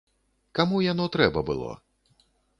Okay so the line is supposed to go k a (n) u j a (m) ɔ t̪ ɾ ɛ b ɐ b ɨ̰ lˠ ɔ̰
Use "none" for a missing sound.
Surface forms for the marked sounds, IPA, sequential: m, n

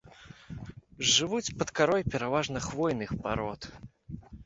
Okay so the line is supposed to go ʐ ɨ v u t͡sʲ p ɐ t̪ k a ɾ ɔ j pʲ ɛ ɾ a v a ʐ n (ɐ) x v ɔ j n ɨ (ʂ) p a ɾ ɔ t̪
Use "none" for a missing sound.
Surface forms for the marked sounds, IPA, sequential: ɐ, x

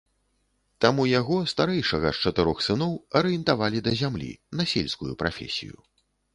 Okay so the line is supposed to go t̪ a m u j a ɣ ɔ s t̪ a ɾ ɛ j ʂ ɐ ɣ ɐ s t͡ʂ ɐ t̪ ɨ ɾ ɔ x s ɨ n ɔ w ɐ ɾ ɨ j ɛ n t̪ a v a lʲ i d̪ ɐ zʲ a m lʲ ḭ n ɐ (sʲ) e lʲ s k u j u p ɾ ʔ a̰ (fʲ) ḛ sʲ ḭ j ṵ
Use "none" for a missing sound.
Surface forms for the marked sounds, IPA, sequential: sʲ, fʲ

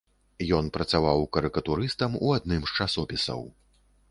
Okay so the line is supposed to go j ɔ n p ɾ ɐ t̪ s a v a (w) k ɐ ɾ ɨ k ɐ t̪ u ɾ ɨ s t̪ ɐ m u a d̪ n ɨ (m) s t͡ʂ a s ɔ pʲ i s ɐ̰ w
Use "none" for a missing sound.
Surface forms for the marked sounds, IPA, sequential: w, m

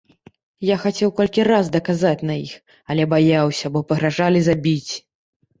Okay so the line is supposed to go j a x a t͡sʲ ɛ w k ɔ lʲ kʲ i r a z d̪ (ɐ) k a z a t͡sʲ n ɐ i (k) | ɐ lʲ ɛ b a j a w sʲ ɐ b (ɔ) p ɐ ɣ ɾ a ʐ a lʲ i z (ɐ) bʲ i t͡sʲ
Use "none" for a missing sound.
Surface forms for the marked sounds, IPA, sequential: ɐ, x, ɔ, a

